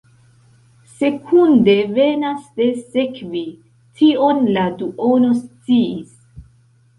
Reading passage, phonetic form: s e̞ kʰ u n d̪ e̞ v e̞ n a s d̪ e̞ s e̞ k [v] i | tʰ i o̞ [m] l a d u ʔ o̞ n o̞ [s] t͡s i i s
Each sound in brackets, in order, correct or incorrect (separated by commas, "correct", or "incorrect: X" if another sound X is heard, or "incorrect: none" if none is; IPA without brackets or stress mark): correct, incorrect: n, correct